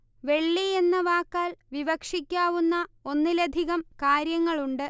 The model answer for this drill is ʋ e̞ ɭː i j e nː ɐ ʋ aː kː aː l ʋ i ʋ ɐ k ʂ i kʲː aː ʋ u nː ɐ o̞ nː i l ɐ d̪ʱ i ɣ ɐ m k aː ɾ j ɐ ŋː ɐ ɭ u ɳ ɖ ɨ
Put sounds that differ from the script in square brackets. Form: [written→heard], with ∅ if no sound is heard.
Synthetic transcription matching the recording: ʋ e̞ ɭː i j e nː ɐ ʋ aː kː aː l ʋ i ʋ ɐ k ʂ i kʲː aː ʋ u nː ɐ o̞ nː i l ɐ d̪ʱ i ɣ ɐ m k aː ɾ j ɐ ŋː ɐ ɭ u ɳ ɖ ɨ